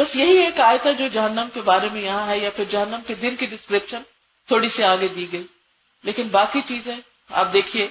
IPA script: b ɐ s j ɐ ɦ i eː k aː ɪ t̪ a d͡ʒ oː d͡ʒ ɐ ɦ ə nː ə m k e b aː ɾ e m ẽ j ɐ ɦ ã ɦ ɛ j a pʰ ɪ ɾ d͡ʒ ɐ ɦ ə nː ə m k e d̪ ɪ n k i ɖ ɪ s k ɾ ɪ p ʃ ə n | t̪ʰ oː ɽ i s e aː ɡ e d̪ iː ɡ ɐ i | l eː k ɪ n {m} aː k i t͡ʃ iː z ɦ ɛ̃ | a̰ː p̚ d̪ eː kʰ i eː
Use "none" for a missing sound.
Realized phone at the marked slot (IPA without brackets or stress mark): b